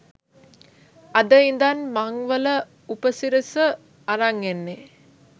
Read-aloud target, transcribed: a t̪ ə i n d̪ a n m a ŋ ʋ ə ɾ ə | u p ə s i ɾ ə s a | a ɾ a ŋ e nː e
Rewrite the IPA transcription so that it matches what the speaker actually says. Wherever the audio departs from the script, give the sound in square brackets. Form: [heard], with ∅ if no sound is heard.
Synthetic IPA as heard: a [d̪] ə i n d̪ a n m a ŋ ʋ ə [l] ə | u p ə s i ɾ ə s [ə] | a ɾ a ŋ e nː e